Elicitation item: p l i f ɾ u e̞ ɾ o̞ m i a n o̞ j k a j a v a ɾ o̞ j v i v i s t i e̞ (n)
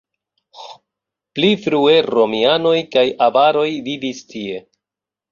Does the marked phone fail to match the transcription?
yes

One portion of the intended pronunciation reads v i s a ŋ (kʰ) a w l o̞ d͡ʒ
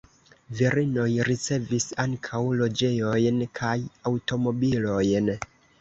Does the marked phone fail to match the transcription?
no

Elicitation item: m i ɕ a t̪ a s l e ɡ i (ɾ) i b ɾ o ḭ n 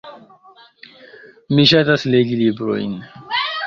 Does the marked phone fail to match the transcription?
yes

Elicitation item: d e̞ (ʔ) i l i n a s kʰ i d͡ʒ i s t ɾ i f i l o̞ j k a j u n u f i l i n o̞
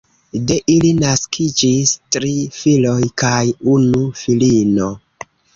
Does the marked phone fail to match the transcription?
no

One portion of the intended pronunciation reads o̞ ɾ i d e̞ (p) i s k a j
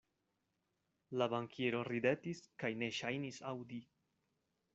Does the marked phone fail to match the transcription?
yes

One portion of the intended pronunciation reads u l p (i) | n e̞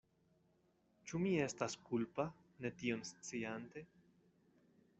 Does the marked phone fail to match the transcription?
yes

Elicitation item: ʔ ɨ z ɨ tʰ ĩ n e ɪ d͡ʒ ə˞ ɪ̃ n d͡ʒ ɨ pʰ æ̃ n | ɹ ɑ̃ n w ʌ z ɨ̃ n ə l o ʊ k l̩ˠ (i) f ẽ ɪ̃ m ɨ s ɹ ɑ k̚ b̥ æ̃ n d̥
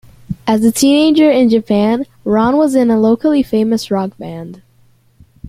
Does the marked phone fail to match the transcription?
no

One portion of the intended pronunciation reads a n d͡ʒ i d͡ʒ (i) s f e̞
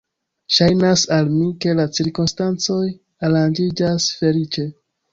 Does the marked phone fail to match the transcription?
yes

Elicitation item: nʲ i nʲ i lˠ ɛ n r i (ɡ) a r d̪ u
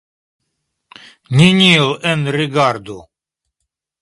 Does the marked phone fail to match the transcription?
no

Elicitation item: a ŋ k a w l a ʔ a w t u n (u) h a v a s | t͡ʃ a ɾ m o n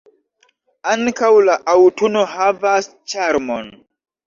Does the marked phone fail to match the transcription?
yes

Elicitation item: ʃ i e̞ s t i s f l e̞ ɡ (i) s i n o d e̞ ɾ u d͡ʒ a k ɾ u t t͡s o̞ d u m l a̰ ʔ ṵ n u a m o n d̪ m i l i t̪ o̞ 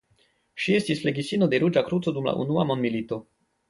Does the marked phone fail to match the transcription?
no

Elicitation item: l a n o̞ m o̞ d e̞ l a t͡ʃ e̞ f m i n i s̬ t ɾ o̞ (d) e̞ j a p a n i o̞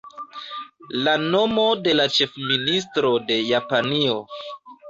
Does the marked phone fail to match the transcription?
no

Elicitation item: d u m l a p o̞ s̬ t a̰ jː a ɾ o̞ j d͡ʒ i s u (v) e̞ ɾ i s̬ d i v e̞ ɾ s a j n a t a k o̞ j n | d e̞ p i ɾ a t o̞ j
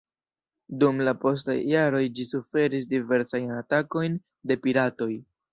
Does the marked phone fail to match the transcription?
yes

